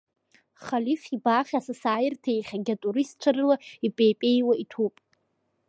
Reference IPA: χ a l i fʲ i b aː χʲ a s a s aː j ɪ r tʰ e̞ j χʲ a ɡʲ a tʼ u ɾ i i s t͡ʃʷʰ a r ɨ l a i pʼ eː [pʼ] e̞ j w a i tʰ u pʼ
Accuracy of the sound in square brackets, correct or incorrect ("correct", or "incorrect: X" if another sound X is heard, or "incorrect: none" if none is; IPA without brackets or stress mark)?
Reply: correct